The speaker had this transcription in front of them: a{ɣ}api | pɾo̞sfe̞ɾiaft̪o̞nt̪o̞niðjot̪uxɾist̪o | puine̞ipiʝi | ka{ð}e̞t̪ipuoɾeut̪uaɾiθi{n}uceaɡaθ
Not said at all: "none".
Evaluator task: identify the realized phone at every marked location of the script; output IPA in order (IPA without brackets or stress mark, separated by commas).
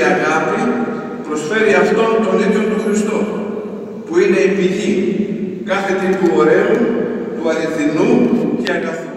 ɣ, θ, n